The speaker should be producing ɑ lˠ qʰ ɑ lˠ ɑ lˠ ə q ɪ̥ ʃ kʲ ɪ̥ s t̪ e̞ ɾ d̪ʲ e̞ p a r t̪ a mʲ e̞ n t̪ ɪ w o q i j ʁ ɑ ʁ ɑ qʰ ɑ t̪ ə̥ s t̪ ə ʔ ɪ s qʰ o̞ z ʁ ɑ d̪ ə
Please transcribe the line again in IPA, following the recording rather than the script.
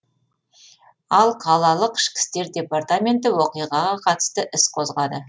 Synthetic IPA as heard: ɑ lˠ qʰ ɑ lˠ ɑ lˠ ə q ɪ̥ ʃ kʲ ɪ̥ s t̪ e̞ ɾ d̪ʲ e̞ p a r t̪ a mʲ e̞ n t̪ ɪ w o q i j ʁ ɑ ʁ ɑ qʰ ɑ t̪ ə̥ s t̪ ə ʔ ɪ s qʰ o̞ z ʁ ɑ d̪ ə